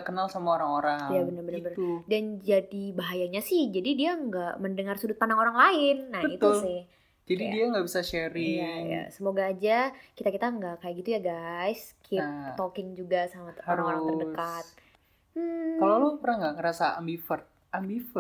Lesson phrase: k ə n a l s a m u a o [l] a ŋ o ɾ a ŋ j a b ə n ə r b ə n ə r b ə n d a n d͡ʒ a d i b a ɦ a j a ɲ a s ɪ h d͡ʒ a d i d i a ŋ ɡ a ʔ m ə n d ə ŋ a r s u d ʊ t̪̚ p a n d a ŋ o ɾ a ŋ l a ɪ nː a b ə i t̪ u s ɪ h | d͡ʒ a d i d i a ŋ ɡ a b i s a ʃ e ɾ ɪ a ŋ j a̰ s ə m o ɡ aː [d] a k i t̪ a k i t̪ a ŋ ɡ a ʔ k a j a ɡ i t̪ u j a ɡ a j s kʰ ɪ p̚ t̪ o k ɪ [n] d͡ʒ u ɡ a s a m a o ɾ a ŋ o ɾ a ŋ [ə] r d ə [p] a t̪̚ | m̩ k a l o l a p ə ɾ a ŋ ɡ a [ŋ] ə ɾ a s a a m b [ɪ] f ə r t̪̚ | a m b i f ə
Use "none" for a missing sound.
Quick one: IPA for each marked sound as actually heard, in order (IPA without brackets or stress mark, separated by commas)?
ɾ, d͡ʒ, ŋ, ə, k, ŋ, i